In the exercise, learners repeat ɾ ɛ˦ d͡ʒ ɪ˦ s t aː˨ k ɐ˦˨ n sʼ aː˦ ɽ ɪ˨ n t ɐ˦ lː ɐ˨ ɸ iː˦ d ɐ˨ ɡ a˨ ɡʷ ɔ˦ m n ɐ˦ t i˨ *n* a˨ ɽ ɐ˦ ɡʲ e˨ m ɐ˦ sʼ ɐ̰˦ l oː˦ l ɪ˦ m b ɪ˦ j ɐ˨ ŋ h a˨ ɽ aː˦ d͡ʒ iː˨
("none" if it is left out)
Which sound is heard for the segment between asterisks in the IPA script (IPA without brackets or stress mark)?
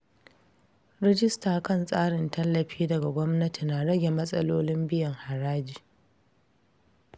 n